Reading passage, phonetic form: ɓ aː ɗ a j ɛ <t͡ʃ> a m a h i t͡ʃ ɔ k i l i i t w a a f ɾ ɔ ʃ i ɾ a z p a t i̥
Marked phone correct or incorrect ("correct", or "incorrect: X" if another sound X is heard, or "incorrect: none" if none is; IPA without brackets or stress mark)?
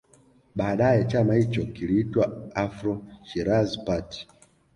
correct